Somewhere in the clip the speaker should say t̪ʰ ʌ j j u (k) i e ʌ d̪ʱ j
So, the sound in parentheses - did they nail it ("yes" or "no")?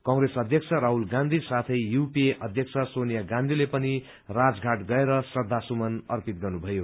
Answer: no